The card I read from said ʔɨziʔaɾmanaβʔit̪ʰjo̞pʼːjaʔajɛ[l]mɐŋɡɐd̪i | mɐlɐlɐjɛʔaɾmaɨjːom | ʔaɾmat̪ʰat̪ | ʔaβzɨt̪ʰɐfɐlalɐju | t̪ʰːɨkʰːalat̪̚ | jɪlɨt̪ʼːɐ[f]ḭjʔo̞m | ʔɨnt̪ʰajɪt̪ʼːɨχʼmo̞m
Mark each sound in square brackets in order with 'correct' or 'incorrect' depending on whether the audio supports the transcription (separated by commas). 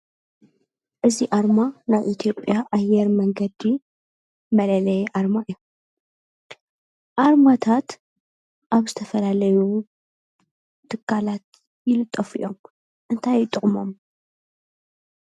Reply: incorrect, correct